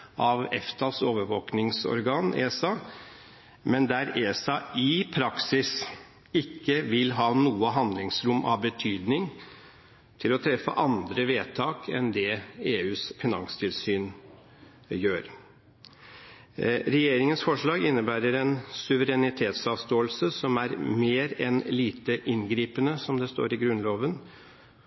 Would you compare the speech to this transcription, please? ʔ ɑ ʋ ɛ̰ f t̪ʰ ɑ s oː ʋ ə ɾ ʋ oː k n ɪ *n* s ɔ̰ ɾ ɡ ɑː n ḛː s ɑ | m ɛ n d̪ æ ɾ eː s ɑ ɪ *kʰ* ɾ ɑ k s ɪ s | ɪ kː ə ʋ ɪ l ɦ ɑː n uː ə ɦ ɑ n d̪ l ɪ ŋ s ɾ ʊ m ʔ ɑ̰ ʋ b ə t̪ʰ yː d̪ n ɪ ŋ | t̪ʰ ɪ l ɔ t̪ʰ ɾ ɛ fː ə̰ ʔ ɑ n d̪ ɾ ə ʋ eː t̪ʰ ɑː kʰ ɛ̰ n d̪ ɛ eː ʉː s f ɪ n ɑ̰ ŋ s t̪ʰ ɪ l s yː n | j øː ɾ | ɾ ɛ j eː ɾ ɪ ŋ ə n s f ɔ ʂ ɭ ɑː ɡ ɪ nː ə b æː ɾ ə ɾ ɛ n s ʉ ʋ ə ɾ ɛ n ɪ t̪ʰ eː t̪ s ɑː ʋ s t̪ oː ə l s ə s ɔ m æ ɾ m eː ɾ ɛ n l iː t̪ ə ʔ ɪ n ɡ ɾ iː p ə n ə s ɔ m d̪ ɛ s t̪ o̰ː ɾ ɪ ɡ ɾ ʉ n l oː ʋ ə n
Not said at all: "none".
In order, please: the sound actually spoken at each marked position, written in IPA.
ŋ, pʰ

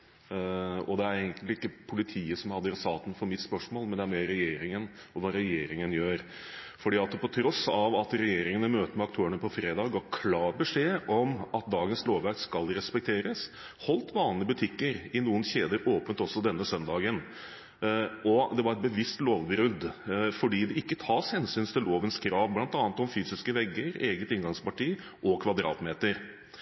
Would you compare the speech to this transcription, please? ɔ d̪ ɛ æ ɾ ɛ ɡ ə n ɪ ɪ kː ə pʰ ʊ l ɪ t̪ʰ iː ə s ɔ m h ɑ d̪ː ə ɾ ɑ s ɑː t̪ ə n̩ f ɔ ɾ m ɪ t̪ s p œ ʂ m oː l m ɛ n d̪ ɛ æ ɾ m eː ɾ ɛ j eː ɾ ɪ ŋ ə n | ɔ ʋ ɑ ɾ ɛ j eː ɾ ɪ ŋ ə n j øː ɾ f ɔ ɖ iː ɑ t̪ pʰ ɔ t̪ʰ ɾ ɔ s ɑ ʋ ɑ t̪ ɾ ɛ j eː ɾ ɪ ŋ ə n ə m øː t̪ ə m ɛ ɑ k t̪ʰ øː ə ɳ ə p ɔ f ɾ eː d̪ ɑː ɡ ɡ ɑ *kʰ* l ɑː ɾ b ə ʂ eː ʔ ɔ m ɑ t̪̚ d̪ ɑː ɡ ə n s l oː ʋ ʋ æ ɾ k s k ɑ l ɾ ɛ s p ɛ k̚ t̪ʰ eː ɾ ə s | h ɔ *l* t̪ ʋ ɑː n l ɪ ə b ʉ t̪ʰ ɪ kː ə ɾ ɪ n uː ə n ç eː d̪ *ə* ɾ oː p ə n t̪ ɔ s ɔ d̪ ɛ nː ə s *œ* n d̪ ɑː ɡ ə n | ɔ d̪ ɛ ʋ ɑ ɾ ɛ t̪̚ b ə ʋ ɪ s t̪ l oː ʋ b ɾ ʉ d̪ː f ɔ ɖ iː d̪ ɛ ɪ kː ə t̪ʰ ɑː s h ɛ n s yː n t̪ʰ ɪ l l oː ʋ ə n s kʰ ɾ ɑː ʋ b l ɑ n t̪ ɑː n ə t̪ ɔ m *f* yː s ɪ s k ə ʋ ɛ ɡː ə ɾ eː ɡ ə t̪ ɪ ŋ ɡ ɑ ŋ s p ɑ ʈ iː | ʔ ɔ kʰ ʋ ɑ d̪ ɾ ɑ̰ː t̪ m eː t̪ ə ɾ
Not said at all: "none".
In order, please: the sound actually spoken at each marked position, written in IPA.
kʰ, l, ə, œ, f

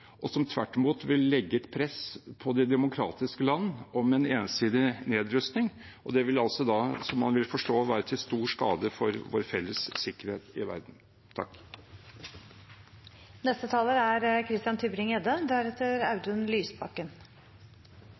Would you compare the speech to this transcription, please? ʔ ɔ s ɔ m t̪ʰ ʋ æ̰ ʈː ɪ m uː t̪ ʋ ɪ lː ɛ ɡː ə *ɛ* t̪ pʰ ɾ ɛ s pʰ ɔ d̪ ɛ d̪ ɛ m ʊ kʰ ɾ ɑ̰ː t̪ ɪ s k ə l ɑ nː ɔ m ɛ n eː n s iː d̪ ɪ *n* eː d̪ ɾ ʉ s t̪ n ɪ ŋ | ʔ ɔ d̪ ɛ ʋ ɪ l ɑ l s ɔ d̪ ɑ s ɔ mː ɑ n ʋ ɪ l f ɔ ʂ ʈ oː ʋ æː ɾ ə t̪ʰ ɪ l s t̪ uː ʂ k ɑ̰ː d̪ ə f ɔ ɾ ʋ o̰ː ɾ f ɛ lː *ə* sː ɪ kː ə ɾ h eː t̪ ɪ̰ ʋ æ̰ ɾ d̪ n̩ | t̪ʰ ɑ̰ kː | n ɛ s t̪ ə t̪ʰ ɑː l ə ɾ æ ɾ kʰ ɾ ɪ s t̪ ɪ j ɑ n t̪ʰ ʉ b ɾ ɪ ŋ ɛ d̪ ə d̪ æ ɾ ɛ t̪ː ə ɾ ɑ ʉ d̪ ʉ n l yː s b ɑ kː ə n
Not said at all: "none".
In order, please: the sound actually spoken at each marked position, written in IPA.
ɛ, n, ə

